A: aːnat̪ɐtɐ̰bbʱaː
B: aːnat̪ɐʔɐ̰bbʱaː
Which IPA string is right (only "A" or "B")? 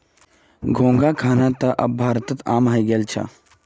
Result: B